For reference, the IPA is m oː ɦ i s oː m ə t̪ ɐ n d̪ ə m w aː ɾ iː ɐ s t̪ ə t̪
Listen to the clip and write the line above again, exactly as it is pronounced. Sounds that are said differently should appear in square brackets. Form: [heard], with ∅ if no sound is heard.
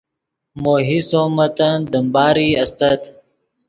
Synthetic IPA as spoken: m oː ɦ i s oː m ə t̪ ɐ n d̪ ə m [b] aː ɾ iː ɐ s t̪ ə t̪